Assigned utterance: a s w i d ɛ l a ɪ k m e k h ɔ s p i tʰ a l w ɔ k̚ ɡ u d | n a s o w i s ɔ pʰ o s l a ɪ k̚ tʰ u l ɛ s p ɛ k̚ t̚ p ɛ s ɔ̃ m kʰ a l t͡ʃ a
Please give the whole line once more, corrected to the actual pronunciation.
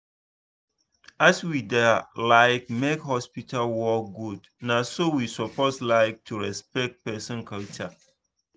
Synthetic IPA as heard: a s w i d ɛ l a ɪ k m e k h ɔ s p i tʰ a l w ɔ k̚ ɡ u d | n a s o w i s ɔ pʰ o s l a ɪ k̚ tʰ u ɹ ɛ s p ɛ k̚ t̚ p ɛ s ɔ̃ n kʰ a l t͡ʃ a

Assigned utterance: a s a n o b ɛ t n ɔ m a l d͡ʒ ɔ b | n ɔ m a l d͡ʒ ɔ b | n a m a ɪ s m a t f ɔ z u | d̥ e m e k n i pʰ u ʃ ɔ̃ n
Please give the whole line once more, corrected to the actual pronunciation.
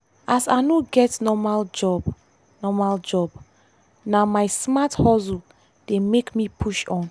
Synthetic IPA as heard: a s a n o ɡ ɛ t n ɔ m a l d͡ʒ ɔ b | n ɔ m a l d͡ʒ ɔ b | n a m a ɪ s m a t h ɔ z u | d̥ e m e k m i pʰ u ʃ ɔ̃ n

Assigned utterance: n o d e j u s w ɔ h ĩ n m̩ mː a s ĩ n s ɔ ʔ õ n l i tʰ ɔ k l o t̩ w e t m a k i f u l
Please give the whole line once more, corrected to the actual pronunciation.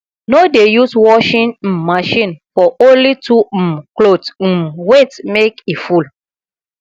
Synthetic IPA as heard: n o d e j u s w ɔ ʃ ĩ n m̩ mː a ʃ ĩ n f ɔ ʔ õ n l i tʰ u k l o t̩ w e t m e k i f u l

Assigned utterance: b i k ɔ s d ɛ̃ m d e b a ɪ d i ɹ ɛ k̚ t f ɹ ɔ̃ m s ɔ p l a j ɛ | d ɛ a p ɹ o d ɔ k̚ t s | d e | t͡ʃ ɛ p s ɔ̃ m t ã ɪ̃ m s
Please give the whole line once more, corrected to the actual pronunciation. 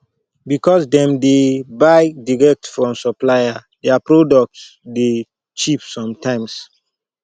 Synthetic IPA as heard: b i k ɔ s d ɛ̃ m d e b a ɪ d i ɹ ɛ k̚ t f ɹ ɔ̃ m s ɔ p l a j a | d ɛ a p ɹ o d ɔ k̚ t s | d e | t͡ʃ i p s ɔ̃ m t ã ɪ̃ m s

